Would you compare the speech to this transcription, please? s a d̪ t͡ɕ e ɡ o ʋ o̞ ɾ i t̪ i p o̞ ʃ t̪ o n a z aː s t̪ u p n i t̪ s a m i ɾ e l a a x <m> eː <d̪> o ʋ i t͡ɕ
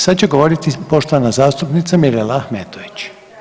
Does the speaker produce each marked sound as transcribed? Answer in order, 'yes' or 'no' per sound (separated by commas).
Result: yes, no